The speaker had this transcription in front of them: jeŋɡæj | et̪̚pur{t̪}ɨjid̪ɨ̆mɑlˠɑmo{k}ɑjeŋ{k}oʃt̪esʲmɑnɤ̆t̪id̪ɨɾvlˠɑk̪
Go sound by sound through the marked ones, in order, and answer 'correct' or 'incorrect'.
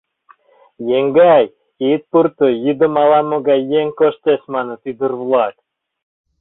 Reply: correct, incorrect: ɡ, correct

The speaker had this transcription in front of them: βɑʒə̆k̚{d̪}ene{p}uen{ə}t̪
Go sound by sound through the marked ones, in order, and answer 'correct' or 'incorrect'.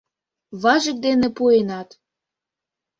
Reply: correct, correct, incorrect: ɑ

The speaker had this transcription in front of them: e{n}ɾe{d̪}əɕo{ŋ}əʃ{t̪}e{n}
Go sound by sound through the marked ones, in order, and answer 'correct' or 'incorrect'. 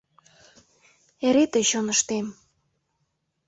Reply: incorrect: none, incorrect: t̪, incorrect: n, correct, incorrect: m

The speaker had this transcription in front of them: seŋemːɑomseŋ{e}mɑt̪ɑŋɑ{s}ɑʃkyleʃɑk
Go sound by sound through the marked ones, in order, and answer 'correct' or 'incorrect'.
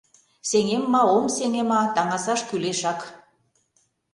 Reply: correct, correct

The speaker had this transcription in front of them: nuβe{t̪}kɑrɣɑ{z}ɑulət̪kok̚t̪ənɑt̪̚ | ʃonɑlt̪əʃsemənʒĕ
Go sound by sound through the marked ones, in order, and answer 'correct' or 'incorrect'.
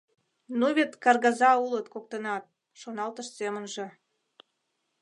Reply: correct, correct

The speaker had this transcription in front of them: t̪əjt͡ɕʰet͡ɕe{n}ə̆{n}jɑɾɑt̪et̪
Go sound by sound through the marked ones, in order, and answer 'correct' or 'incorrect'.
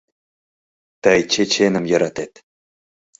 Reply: correct, incorrect: m

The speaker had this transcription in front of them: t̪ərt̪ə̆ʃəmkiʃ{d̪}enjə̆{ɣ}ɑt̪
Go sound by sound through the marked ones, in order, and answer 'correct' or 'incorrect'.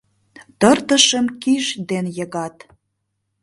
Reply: correct, correct

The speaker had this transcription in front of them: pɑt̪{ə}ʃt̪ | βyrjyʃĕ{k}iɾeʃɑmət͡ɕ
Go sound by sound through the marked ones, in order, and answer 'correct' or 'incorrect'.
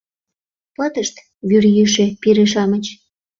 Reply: correct, incorrect: p

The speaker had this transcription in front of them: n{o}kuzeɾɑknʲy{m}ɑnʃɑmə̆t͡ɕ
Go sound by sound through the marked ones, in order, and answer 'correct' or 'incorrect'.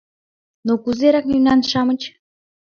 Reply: correct, incorrect: n

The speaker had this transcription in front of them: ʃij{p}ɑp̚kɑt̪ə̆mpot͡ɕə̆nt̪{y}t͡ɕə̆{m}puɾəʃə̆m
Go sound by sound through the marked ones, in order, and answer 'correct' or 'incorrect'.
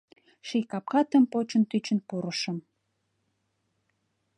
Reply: incorrect: k, correct, incorrect: n

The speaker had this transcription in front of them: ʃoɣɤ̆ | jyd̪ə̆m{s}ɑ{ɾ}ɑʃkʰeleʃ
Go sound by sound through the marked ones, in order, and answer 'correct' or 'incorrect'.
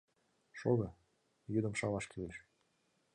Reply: incorrect: ʃ, incorrect: l

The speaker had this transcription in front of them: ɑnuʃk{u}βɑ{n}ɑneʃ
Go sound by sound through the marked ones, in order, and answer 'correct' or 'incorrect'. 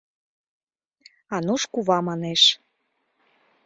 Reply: correct, incorrect: m

